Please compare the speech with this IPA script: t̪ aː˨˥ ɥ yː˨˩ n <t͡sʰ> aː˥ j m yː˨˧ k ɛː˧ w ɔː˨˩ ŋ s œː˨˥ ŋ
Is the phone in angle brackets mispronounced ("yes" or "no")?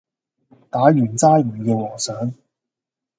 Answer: yes